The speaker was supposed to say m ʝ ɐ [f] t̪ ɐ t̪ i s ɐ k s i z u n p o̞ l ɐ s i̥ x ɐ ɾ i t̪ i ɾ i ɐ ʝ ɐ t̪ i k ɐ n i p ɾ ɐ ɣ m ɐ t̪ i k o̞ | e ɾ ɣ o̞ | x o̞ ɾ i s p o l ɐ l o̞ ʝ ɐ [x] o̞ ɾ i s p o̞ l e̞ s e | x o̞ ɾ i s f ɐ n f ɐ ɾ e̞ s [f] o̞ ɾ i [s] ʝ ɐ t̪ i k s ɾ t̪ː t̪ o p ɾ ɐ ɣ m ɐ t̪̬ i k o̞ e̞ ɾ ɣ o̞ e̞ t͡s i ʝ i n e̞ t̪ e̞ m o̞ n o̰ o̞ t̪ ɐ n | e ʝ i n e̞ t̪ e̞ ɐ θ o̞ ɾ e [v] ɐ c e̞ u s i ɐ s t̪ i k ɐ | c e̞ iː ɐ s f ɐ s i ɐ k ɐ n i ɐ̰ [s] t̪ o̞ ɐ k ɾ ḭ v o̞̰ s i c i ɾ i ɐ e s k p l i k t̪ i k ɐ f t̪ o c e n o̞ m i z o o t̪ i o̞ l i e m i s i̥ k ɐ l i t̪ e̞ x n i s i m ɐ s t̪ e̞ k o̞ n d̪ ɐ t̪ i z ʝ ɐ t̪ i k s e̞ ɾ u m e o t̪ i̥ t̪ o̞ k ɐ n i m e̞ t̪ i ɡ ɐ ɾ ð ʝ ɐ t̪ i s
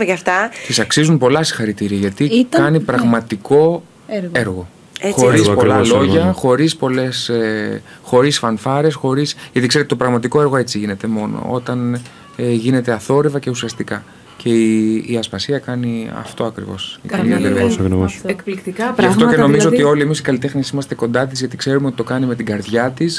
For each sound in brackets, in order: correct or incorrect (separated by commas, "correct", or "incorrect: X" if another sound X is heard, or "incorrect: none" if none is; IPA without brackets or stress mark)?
correct, correct, incorrect: x, correct, correct, incorrect: f